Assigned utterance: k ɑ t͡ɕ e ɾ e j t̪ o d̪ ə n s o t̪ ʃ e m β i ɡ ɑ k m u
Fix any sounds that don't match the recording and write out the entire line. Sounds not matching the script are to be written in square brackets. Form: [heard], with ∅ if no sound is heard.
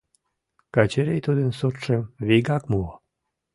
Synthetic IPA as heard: k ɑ t͡ɕ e ɾ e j t̪ [u] d̪ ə n s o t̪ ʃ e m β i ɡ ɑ k m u